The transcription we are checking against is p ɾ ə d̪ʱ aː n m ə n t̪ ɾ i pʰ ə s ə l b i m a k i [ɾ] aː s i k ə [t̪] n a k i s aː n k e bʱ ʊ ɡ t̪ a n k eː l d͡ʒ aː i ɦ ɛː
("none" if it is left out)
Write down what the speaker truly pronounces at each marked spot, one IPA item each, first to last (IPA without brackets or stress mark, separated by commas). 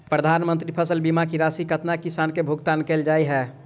ɾ, t̪